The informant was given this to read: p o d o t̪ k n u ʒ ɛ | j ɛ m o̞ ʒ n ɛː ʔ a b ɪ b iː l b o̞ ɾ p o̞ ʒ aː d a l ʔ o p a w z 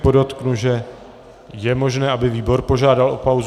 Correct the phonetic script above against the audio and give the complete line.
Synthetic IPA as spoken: p o d o t̪ k n u ʒ ɛ | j ɛ m o̞ ʒ n ɛː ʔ a b ɪ v iː b o̞ ɾ p o̞ ʒ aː d a l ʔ o p a w z